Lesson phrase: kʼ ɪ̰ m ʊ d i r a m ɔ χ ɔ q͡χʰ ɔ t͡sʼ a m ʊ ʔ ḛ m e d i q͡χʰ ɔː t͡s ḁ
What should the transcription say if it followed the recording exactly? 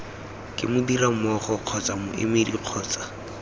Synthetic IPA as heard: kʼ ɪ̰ m ʊ d i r a m ɔ χ ɔ q͡χʰ ɔ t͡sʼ a m ʊ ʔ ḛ m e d i q͡χʰ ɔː t͡s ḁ